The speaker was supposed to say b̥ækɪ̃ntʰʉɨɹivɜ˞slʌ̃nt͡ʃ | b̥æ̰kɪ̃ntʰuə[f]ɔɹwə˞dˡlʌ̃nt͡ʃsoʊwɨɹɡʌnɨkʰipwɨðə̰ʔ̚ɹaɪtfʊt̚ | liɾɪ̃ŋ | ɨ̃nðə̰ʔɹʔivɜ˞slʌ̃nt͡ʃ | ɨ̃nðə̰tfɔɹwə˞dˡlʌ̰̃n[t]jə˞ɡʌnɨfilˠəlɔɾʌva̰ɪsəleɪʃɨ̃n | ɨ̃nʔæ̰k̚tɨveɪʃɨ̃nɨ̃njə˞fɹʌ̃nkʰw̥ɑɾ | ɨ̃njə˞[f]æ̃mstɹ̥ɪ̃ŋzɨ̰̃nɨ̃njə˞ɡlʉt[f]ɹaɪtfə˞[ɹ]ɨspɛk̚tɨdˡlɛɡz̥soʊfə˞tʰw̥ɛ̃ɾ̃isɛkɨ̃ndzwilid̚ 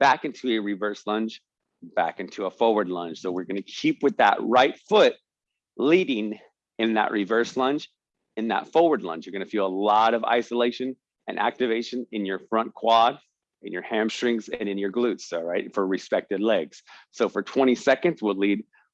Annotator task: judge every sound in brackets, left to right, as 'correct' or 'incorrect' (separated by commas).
correct, incorrect, incorrect, incorrect, correct